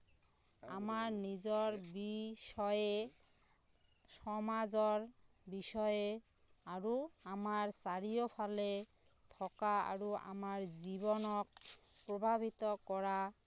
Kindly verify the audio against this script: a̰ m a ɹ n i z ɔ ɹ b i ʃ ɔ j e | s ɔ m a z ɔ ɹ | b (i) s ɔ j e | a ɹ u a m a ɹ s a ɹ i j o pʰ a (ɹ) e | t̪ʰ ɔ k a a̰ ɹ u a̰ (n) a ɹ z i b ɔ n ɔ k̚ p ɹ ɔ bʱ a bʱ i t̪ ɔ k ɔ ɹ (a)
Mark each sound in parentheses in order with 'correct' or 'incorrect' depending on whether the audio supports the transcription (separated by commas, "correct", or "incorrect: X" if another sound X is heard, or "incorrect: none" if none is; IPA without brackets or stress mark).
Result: correct, incorrect: l, incorrect: m, correct